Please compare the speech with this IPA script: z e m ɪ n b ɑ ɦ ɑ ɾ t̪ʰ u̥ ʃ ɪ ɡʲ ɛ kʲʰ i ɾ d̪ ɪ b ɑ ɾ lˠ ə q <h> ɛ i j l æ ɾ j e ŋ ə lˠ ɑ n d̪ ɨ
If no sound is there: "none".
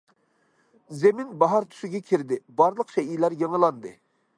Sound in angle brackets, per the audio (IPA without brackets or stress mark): ʃ